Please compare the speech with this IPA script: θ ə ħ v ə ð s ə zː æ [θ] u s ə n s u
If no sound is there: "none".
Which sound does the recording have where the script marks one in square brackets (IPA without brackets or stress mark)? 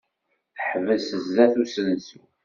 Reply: θ